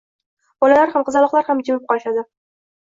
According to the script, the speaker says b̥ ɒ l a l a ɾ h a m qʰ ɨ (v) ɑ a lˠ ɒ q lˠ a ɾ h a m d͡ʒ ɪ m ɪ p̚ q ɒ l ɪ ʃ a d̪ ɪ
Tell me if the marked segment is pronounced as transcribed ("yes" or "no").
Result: no